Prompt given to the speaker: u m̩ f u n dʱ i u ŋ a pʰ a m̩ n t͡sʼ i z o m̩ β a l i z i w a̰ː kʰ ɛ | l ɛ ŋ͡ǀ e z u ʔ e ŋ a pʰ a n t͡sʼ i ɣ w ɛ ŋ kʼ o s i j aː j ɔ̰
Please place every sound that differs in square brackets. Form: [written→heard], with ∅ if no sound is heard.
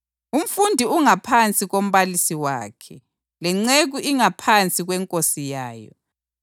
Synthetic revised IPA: u m̩ f u n dʱ i u ŋ a pʰ a [m̩→∅] n t͡sʼ i [z→ɣ] o m̩ β a l i [z→s] i w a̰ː kʰ ɛ | l ɛ ŋ͡ǀ e [z→ɣ] u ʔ [e→i] ŋ a pʰ a n t͡sʼ i ɣ w ɛ ŋ kʼ o s i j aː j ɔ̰